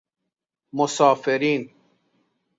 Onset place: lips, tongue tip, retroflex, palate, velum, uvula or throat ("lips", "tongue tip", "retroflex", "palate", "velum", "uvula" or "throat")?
lips